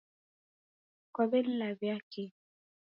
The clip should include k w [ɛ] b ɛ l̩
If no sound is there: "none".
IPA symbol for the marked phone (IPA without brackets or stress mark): a